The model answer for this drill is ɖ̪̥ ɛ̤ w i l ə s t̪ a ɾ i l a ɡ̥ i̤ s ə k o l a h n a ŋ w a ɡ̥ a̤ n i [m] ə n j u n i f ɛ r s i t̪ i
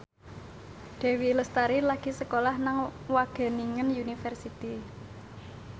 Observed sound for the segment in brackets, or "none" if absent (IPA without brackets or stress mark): ŋ